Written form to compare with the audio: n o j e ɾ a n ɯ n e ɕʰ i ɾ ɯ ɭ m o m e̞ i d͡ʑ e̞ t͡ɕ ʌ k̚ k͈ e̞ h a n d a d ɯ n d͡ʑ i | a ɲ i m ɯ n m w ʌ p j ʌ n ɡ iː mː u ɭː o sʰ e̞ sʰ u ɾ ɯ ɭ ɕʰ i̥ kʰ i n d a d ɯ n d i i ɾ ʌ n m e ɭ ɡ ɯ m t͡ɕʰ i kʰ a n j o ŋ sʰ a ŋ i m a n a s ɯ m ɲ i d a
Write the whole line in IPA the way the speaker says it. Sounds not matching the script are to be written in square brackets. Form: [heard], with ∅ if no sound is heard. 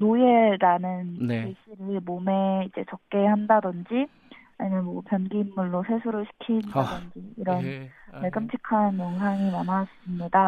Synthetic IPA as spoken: n o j e ɾ a n ɯ n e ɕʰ i ɾ ɯ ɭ m o m e̞ i d͡ʑ e̞ t͡ɕ ʌ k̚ k͈ e̞ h a n d a d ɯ n d͡ʑ i | a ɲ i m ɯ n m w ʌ p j ʌ n ɡ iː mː u ɭː o sʰ e̞ sʰ u ɾ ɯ ɭ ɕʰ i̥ kʰ i n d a d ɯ n [d͡ʑ] i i ɾ ʌ n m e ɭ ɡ ɯ m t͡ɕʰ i kʰ a n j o ŋ sʰ a ŋ i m a n a s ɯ m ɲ i d a